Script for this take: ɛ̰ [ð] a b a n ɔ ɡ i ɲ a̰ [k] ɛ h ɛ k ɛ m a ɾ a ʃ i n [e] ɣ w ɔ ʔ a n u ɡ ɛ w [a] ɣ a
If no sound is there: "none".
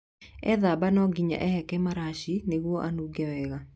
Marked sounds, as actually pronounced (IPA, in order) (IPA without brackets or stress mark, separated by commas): ð, ʔ, e, ɛ